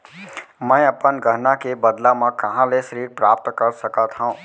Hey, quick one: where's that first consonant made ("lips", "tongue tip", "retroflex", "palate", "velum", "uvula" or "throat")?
lips